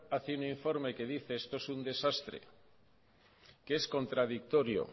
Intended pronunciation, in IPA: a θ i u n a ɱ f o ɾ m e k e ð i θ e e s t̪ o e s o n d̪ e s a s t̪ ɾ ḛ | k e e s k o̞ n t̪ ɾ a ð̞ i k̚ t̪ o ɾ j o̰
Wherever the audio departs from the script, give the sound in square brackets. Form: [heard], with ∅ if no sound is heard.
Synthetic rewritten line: a θ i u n [i] ɱ f o ɾ m e k e ð i θ e e s t̪ o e s [u] n d̪ e s a s t̪ ɾ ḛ | k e e s k o̞ n t̪ ɾ a ð̞ i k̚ t̪ o ɾ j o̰